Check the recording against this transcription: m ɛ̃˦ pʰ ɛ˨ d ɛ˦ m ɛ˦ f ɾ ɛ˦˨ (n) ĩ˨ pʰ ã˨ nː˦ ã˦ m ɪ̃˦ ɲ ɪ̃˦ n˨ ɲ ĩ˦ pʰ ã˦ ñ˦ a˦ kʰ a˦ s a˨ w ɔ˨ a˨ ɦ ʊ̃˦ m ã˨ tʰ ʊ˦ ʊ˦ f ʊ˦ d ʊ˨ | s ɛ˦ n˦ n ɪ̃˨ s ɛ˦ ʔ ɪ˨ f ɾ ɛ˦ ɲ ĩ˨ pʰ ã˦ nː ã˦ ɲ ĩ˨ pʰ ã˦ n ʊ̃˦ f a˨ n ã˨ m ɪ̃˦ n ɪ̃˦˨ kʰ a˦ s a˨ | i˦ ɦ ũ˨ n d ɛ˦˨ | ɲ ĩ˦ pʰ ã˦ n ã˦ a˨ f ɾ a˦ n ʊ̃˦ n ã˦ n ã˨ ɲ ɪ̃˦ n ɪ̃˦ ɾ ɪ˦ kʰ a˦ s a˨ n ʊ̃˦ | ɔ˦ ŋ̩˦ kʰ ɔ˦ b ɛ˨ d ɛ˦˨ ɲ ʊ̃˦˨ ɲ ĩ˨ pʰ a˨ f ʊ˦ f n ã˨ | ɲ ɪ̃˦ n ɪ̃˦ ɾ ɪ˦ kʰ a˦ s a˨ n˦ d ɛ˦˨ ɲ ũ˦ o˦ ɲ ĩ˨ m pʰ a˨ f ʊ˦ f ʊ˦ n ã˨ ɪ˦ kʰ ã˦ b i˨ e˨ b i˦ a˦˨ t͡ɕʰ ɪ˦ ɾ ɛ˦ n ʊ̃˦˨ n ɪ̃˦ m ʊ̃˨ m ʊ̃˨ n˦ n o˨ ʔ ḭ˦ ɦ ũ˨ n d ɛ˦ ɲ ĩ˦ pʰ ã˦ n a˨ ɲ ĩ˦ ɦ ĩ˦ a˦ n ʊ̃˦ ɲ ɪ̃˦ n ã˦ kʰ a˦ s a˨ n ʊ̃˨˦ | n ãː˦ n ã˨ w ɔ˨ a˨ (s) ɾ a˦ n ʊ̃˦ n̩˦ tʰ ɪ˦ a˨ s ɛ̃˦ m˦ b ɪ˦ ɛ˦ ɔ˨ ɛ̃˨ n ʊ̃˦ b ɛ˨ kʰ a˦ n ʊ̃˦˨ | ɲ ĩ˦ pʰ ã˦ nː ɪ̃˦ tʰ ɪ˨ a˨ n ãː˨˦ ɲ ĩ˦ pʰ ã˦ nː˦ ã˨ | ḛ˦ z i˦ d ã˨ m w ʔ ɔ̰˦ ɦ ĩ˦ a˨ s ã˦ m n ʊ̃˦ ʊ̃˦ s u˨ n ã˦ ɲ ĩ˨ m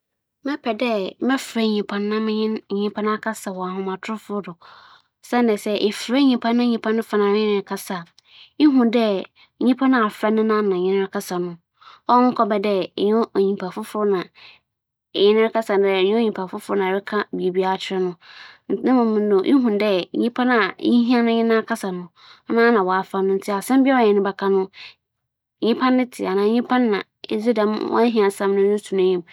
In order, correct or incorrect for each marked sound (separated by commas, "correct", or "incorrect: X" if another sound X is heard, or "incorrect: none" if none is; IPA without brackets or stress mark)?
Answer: incorrect: ɲ, incorrect: f